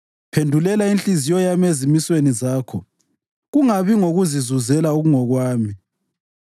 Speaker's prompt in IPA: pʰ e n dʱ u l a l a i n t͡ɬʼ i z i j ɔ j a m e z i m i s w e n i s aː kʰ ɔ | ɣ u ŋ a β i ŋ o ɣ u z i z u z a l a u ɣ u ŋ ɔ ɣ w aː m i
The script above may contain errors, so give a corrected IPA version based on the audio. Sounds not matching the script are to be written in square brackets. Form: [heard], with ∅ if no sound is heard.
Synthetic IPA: pʰ e n dʱ u l [ɛ] l a i n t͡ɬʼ i z i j ɔ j a m e z i m i s w e n i [z] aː kʰ ɔ | ɣ u ŋ a β i ŋ o ɣ u z i z u z [ɛ] l a u ɣ u ŋ ɔ ɣ w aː m i